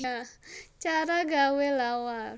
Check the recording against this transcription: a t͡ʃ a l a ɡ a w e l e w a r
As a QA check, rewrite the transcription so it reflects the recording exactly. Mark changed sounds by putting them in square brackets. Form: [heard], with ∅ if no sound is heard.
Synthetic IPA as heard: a t͡ʃ a [ɾ] a ɡ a w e l [a] w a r